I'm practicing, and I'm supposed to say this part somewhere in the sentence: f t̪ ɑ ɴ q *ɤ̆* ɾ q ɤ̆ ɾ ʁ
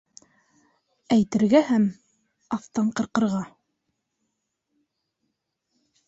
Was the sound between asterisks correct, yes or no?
yes